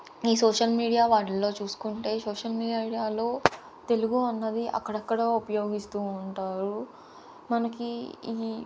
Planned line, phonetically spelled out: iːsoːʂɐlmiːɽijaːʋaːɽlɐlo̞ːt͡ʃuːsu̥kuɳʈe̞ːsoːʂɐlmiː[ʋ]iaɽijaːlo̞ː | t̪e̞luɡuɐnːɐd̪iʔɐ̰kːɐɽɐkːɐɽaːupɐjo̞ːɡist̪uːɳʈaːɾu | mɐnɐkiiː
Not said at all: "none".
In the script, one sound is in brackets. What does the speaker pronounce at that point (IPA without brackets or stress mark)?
none